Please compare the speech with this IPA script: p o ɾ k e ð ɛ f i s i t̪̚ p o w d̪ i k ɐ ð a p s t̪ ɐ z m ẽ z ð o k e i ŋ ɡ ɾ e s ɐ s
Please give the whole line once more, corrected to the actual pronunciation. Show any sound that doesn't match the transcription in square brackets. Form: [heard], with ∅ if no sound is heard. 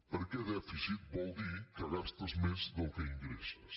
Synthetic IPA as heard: p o ɾ k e ð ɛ f i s i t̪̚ [b] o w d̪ i k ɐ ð a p s t̪ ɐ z m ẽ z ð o k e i ŋ ɡ ɾ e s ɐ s